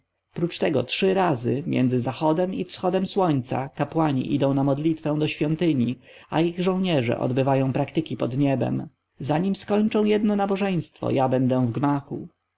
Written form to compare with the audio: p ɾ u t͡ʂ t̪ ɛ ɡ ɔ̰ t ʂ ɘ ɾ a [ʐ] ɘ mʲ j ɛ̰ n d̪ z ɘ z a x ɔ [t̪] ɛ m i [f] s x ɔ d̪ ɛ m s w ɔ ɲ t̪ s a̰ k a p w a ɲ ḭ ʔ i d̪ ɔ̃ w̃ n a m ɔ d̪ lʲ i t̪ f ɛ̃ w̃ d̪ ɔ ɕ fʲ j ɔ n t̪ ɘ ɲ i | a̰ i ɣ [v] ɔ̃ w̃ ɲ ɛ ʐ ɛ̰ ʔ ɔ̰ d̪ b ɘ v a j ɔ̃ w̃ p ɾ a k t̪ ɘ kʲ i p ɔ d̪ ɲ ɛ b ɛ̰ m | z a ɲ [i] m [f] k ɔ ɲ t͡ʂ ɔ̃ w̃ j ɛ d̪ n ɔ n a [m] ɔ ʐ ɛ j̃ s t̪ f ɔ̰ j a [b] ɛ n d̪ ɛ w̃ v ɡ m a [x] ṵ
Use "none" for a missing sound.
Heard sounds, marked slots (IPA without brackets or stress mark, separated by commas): z, d̪, f, ʐ, i, s, b, b, x